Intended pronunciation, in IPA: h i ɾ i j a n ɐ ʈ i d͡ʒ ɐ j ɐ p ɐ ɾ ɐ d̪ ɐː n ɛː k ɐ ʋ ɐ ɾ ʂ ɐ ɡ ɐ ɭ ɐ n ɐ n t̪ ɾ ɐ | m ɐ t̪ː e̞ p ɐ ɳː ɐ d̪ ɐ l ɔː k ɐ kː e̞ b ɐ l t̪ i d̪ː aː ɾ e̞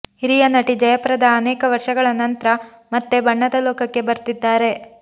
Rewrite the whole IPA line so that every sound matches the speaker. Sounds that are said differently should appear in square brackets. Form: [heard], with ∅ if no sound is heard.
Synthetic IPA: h i ɾ i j [ɐ] n ɐ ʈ i d͡ʒ ɐ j ɐ p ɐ ɾ ɐ d̪ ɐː n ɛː k ɐ ʋ ɐ ɾ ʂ ɐ ɡ ɐ ɭ ɐ n ɐ n t̪ ɾ ɐ | m ɐ t̪ː e̞ [b] ɐ ɳː ɐ d̪ ɐ l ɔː k ɐ kː e̞ b ɐ [ɾ] t̪ i d̪ː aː ɾ e̞